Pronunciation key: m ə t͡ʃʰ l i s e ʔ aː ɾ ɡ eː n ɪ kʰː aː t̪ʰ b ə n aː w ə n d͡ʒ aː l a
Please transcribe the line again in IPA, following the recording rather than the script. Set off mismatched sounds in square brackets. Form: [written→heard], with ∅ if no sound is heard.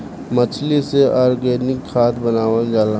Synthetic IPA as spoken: m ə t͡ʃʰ l i s e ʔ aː ɾ ɡ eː n ɪ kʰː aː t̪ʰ b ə n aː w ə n d͡ʒ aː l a